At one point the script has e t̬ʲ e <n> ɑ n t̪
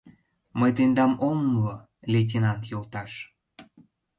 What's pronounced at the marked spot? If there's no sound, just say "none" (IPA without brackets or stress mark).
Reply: n